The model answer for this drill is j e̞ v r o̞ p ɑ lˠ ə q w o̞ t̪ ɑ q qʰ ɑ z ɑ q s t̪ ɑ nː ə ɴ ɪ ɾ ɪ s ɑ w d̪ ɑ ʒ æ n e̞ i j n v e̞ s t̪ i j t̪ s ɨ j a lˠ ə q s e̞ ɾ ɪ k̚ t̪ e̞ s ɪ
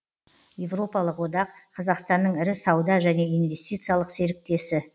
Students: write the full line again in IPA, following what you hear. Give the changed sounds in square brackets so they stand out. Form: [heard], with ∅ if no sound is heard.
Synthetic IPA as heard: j e̞ v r o̞ p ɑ lˠ ə q w o̞ [d̪] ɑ q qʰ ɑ z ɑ q s t̪ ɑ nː ə ɴ ɪ ɾ ɪ s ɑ w d̪ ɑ ʒ æ n e̞ i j n v e̞ s t̪ i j t̪ s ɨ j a lˠ ə q s e̞ ɾ ɪ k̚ t̪ e̞ s ɪ